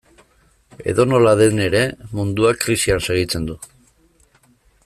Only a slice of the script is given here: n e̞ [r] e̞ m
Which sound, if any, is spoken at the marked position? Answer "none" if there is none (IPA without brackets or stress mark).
ɾ